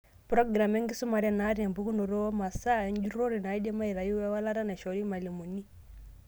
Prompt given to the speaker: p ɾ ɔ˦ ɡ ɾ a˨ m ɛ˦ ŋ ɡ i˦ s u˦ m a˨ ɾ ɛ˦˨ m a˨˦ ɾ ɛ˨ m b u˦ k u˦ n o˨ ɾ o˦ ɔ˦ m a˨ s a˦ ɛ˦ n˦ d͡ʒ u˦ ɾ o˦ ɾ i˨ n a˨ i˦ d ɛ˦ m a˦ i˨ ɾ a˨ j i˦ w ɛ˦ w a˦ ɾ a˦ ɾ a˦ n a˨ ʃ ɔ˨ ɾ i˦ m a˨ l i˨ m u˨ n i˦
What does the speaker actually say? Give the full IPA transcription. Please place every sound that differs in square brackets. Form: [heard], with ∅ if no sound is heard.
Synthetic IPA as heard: p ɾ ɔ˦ ɡ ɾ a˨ m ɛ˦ ŋ ɡ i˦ s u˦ m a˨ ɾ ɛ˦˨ [n] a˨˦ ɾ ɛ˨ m b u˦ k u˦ n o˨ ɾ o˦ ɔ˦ m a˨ s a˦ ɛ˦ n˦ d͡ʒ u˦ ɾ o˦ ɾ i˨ n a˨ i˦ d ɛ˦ m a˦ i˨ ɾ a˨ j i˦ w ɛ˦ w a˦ [l] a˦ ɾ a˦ n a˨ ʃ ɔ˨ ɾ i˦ m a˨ l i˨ m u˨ n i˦

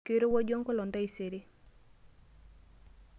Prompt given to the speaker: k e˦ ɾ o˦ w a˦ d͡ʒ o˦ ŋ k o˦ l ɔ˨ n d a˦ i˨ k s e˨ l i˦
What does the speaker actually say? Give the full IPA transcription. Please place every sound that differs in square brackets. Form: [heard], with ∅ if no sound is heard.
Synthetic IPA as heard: k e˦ ɾ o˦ w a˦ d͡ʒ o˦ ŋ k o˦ l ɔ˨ n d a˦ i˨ [∅] s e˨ [ɾ] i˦

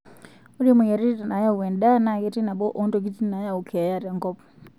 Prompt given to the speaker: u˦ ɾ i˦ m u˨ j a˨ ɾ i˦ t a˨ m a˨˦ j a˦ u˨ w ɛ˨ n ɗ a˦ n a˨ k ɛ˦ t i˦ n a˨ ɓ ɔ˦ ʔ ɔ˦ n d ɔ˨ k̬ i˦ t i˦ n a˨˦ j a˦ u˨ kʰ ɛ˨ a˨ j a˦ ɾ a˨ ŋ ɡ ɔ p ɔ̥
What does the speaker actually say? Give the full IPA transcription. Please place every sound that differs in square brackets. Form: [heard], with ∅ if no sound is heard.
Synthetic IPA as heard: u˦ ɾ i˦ m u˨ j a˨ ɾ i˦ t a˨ [n] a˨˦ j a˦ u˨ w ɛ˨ n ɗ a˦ n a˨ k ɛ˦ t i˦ n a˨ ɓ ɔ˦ ʔ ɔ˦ n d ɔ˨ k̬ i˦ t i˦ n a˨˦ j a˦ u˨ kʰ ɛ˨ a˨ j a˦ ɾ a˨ ŋ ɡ ɔ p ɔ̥

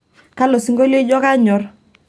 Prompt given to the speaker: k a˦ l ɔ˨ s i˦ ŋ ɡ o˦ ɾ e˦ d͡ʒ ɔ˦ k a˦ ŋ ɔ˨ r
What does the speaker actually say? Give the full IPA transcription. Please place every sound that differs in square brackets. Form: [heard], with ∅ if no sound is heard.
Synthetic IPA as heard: k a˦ l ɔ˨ s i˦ ŋ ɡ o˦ [l] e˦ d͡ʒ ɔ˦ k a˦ [ɲ] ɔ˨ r

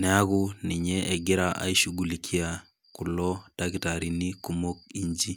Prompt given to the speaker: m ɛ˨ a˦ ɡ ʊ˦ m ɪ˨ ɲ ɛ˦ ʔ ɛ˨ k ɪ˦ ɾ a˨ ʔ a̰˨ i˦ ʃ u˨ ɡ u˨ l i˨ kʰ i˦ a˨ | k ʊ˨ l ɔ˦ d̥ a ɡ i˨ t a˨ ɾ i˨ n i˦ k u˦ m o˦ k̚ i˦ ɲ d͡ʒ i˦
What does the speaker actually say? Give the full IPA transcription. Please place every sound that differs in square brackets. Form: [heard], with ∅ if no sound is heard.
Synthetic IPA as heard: [n] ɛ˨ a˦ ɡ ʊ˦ [n] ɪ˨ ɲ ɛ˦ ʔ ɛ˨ [ɡ] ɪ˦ ɾ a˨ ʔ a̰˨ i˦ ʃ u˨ ɡ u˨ l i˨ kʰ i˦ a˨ | k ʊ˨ l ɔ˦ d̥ a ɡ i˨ t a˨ ɾ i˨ n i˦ k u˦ m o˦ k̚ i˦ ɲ d͡ʒ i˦

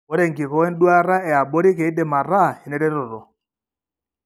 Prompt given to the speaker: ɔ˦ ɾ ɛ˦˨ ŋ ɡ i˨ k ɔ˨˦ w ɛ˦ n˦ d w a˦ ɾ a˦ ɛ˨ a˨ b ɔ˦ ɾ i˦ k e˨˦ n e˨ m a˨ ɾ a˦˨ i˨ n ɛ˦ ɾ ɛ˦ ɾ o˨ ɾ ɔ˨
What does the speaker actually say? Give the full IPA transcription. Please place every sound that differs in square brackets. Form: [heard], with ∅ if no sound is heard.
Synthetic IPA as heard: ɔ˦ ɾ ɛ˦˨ ŋ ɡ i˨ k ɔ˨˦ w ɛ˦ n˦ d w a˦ ɾ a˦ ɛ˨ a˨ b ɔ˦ ɾ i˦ k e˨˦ [d] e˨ m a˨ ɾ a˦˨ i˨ n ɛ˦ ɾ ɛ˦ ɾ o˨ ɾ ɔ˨

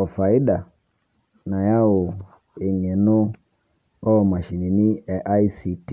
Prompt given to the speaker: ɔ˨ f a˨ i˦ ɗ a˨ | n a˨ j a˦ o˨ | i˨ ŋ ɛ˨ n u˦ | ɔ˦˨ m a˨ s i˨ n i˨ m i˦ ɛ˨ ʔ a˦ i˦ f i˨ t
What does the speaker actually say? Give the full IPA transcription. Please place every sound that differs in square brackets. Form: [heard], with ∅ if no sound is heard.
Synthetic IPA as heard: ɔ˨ f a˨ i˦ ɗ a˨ | n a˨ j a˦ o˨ | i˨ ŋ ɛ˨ n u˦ | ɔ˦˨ m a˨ [ʃ] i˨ n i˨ [n] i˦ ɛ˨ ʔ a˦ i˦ [s] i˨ t

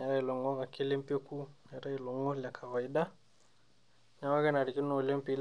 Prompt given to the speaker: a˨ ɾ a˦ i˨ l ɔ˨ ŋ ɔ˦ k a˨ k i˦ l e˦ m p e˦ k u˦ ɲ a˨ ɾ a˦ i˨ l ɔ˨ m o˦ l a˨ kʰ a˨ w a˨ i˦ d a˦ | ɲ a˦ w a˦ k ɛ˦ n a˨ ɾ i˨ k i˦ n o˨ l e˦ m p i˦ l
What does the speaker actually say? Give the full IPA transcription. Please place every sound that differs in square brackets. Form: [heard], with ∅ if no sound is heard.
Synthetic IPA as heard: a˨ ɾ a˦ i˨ l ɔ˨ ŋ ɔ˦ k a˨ k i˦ l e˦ m p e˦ k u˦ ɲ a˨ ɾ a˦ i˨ l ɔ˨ [ŋ] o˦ l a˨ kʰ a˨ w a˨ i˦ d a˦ | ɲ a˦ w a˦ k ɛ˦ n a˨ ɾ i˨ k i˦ n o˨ l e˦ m p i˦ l

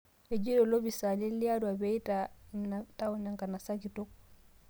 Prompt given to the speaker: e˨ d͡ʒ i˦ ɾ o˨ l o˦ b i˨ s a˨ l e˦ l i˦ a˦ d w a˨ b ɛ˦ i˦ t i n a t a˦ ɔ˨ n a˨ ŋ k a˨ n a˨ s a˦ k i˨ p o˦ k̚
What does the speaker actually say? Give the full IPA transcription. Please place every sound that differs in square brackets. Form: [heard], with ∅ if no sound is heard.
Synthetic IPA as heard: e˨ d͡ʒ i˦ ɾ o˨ l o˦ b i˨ s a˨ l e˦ l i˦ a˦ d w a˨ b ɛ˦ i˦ t [a] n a t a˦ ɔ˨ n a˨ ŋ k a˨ n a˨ s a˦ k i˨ [t] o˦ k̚

